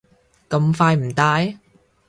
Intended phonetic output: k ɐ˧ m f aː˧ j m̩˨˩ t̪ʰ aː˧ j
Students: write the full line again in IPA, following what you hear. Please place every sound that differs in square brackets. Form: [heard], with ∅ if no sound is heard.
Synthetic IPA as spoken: k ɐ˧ m f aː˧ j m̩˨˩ [t̪] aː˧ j